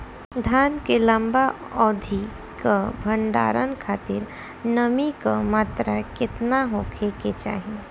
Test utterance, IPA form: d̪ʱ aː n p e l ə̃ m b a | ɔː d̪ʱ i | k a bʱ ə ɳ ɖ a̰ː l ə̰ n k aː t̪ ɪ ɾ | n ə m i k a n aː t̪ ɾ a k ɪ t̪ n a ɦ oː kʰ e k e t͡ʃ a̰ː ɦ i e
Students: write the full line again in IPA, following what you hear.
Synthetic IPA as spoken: d̪ʱ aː n k e l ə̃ m b a | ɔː d̪ʱ i | k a bʱ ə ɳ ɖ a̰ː ɾ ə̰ n kʰ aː t̪ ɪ ɾ | n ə m i k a m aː t̪ ɾ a k ɪ t̪ n a ɦ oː kʰ e k e t͡ʃ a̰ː ɦ i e